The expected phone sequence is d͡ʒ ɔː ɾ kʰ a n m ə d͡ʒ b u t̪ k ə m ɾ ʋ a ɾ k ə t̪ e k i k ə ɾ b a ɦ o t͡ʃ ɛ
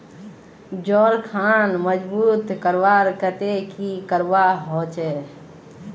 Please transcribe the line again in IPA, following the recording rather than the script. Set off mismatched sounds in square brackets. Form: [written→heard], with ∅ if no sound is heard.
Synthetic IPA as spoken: d͡ʒ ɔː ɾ kʰ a n m ə d͡ʒ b u t̪ k ə [m→∅] ɾ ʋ a ɾ k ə t̪ e k i k ə ɾ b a ɦ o t͡ʃ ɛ